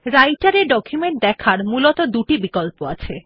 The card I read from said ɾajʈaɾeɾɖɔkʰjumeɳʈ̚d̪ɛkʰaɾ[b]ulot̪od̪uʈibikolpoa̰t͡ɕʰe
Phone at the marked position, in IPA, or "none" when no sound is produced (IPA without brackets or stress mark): m